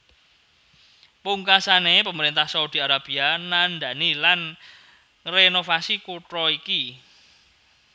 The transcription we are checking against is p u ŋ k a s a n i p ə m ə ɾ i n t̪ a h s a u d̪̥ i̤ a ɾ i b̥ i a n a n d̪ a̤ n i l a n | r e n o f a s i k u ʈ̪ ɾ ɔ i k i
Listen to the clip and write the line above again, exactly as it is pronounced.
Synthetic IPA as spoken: p u ŋ k a s a n e p ə m ə ɾ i n t̪ a h s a u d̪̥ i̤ a ɾ a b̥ i a n a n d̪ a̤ n i l a n | r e n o f a s i k u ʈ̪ ɾ ɔ i k i